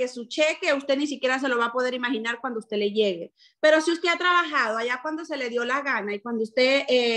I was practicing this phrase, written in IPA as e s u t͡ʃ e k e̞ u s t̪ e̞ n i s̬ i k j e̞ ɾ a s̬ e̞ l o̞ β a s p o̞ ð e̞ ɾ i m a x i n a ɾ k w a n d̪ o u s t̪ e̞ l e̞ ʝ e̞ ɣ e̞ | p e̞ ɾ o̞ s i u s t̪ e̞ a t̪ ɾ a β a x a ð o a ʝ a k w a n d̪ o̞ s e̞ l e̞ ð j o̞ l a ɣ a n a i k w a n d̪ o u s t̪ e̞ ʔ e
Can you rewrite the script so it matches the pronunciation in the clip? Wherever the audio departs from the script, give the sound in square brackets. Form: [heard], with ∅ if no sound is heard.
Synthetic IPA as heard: e s u t͡ʃ e k e̞ u s t̪ e̞ n i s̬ i k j e̞ ɾ a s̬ e̞ l o̞ β a [∅] p o̞ ð e̞ ɾ i m a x i n a ɾ k w a n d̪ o u s t̪ e̞ l e̞ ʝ e̞ ɣ e̞ | p e̞ ɾ o̞ s i u s t̪ e̞ a t̪ ɾ a β a x a ð o a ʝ a k w a n d̪ o̞ s e̞ l e̞ ð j o̞ l a ɣ a n a i k w a n d̪ o u s t̪ e̞ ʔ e

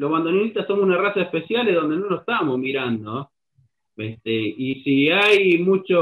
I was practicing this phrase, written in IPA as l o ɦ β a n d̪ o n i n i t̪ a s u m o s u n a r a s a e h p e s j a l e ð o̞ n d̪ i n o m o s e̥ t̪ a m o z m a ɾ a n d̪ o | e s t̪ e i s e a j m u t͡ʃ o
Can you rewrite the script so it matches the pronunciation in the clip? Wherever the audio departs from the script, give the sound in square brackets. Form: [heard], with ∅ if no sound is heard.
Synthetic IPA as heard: l o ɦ β a n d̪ o n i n i t̪ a s [o] m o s u n a r a s a e h p e s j a l e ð o̞ n d̪ [e] n o [n] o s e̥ t̪ a m o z m [i] ɾ a n d̪ o | e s t̪ e i s [i] a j m u t͡ʃ o

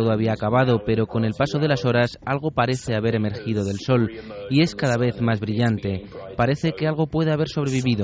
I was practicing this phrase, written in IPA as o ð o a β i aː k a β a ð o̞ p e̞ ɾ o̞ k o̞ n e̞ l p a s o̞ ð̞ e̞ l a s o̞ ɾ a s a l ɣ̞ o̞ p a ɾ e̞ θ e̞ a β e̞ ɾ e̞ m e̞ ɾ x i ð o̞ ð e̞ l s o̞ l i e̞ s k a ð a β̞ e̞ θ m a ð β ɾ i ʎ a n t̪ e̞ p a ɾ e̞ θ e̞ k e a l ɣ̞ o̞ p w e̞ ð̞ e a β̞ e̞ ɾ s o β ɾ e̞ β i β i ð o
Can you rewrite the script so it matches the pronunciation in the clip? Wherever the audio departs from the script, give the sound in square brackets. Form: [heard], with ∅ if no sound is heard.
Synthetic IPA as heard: o ð o a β i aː k a β a ð o̞ p e̞ ɾ o̞ k o̞ n e̞ l p a s o̞ ð̞ e̞ l a s o̞ ɾ a s a l ɣ̞ o̞ p a ɾ e̞ θ e̞ a β e̞ ɾ e̞ m e̞ ɾ x i ð o̞ ð e̞ l s o̞ l i e̞ s k a ð a β̞ e̞ θ m a [z] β ɾ i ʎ a n t̪ e̞ p a ɾ e̞ θ e̞ k e a l ɣ̞ o̞ p w e̞ ð̞ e a β̞ e̞ ɾ s o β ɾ e̞ β i β i ð o

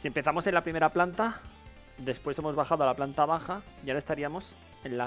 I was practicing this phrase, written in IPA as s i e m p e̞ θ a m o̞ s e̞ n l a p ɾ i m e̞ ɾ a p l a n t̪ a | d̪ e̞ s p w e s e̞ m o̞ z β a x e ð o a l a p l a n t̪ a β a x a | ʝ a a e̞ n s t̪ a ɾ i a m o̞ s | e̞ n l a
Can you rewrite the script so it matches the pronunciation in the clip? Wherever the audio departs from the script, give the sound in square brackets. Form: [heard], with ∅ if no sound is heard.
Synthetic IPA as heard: s i e m p e̞ θ a m o̞ s e̞ n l a p ɾ i m e̞ ɾ a p l a n t̪ a | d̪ e̞ s p w e s e̞ m o̞ z β a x [a] ð o a l a p l a n t̪ a β a x a | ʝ a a e̞ [∅] s t̪ a ɾ i a m o̞ s | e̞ n l a

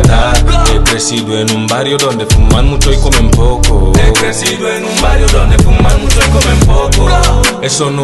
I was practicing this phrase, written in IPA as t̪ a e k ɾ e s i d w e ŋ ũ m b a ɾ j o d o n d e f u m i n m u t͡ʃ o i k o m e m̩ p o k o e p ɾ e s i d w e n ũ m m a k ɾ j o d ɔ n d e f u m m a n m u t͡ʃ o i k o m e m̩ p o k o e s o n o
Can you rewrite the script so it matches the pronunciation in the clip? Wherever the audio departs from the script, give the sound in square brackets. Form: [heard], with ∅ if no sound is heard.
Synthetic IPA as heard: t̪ a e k ɾ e s i d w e [n] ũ m b a ɾ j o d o n d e f u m [a] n m u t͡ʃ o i k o m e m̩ p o k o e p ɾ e s i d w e n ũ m [b] a [∅] ɾ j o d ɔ n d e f u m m a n m u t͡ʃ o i k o m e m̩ p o k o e s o n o

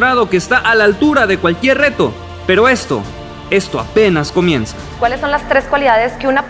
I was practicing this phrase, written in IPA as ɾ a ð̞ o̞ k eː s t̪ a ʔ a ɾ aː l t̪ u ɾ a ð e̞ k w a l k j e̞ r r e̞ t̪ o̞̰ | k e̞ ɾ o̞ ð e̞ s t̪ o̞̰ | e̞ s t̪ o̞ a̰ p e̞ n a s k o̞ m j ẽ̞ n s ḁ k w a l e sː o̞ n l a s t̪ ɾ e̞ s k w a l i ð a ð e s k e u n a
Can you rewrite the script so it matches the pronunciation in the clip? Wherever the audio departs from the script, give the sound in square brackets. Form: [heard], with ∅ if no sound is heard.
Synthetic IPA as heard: ɾ a ð̞ o̞ k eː s t̪ a ʔ a [l] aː l t̪ u ɾ a ð e̞ k w a l k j e̞ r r e̞ t̪ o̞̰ | [p] e̞ ɾ o̞ [∅] e̞ s t̪ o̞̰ | e̞ s t̪ o̞ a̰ p e̞ n a s k o̞ m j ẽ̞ n s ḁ k w a l e sː o̞ n l a s t̪ ɾ e̞ s k w a l i ð a ð e s k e u n a

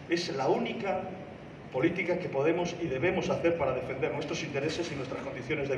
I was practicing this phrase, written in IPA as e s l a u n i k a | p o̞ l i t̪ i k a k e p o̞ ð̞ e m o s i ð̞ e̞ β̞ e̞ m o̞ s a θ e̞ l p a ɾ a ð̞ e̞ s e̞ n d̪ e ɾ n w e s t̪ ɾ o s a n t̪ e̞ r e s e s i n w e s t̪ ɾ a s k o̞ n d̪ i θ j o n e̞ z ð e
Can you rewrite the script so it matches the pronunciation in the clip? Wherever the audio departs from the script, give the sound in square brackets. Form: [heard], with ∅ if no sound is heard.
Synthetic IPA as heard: e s l a u n i k a | p o̞ l i t̪ i k a k e p o̞ ð̞ e m o s i ð̞ e̞ β̞ e̞ m o̞ s a θ e̞ [ɾ] p a ɾ a ð̞ e̞ [f] e̞ n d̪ e ɾ n w e s t̪ ɾ o s [i] n t̪ e̞ [ɾ] e s e s i n w e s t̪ ɾ a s k o̞ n d̪ i θ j o n e̞ z ð e

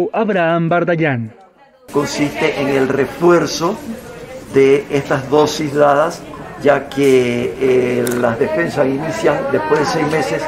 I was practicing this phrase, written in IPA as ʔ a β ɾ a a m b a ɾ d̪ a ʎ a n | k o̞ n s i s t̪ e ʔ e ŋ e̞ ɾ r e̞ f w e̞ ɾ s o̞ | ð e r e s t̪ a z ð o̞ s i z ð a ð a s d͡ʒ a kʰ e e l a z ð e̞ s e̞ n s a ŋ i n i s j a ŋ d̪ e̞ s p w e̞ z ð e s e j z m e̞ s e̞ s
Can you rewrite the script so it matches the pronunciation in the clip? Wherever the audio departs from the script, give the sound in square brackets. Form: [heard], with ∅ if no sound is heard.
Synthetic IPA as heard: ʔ a β ɾ a a m b a ɾ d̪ a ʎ a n | k o̞ n s i s t̪ e ʔ e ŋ e̞ [l] r e̞ f w e̞ ɾ s o̞ | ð e [∅] e s t̪ a z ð o̞ s i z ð a ð a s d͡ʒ a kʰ e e l a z ð e̞ [f] e̞ n s a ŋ i n i s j a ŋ d̪ e̞ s p w e̞ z ð e s e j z m e̞ s e̞ s

